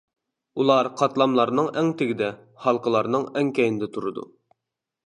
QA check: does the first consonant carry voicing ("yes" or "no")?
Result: yes